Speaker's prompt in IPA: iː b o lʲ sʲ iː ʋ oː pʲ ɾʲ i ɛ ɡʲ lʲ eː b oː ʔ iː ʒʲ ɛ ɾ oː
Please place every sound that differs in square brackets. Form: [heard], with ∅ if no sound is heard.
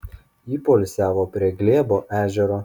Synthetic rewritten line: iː [p] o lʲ sʲ [æː] ʋ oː pʲ ɾʲ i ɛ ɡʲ lʲ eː b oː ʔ [æː] ʒʲ ɛ ɾ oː